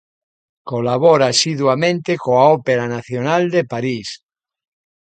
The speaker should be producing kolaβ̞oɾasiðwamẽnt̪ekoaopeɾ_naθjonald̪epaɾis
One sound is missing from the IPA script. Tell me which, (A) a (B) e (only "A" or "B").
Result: A